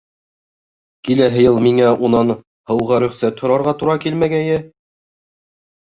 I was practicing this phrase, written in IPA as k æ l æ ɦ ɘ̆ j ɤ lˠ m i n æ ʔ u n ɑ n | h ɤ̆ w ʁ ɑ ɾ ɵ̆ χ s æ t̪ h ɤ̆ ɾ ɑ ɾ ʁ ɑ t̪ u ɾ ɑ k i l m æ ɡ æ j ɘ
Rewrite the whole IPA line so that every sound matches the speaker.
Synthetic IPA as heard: k i l æ ɦ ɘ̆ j ɤ lˠ m i ŋ æ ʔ u n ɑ n | h ɤ̆ w ʁ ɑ ɾ ɵ̆ χ s æ t̪ h ŏ ɾ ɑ ɾ ʁ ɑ t̪ u ɾ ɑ k i l m æ ɡ æ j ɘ